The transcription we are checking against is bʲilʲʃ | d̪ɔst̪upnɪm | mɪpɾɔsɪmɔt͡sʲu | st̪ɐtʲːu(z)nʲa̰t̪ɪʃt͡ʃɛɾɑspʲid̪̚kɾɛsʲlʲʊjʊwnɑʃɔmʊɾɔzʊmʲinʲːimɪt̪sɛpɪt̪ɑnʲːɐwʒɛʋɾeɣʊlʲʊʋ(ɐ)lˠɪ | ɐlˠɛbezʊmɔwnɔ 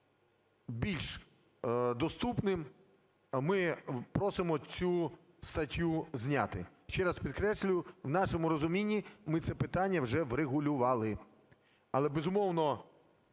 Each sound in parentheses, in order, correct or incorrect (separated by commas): correct, incorrect